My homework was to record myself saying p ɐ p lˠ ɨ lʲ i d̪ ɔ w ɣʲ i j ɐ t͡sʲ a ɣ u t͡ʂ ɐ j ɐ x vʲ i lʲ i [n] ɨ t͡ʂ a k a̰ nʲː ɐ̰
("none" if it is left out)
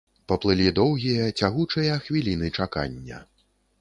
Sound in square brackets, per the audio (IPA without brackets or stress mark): n